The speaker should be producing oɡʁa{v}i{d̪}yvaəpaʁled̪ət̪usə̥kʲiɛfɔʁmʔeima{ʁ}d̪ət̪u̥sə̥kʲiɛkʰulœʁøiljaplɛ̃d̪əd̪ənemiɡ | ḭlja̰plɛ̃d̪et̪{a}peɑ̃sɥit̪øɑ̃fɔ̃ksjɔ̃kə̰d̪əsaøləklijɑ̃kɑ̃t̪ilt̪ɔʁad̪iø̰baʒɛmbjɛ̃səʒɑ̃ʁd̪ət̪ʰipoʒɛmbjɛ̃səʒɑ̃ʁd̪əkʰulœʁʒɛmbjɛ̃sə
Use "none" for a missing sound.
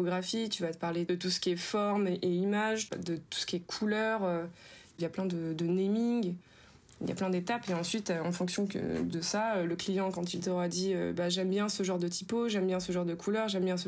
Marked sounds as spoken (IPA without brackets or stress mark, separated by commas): f, t̪, ʒ, a